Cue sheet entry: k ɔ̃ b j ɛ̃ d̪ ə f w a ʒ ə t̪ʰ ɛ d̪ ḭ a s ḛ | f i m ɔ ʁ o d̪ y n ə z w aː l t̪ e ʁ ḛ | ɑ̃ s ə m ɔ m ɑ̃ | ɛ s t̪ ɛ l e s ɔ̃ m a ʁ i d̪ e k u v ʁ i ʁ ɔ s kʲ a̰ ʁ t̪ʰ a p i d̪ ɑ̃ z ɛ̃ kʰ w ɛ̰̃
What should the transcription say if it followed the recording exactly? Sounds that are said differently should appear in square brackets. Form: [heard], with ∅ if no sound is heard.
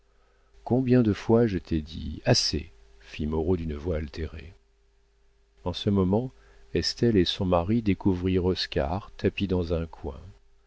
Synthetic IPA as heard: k ɔ̃ b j ɛ̃ d̪ ə f w a ʒ ə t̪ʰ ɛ d̪ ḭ a s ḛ | f i m ɔ ʁ o d̪ y n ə [v] w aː l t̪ e ʁ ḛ | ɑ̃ s ə m ɔ m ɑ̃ | ɛ s t̪ ɛ l e s ɔ̃ m a ʁ i d̪ e k u v ʁ i ʁ ɔ s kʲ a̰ ʁ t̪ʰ a p i d̪ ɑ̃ z ɛ̃ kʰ w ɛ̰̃